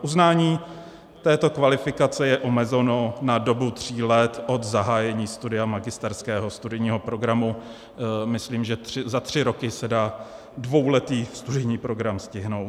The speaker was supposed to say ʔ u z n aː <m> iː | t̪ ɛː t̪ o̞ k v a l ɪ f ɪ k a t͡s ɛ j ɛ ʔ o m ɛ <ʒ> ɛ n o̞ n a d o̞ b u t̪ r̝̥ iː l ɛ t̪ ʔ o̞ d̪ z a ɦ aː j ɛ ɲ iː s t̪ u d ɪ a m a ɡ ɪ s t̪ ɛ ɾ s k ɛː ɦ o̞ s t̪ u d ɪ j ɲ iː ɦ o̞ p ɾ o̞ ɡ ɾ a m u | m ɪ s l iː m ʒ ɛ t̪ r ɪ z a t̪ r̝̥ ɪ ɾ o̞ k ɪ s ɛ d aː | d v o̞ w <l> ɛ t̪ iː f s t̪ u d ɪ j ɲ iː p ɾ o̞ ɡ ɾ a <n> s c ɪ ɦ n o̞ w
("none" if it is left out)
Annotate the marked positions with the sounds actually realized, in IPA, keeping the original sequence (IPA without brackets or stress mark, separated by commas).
ɲ, z, l, m